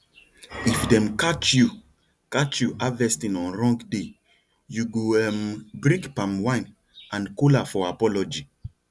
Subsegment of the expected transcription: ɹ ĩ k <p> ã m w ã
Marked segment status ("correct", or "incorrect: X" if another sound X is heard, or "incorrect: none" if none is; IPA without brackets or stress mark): correct